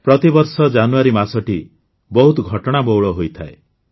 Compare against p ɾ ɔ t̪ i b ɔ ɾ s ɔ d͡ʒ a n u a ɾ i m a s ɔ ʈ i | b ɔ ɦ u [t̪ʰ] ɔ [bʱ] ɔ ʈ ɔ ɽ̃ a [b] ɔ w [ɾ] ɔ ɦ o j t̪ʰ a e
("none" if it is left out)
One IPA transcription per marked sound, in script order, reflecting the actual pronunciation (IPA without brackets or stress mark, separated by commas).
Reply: t̪, ɡʱ, b, ɭ